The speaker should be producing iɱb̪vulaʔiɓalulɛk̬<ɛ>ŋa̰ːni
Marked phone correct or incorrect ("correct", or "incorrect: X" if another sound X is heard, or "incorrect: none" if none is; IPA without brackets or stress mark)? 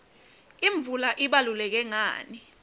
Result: correct